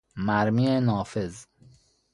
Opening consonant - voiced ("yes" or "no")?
yes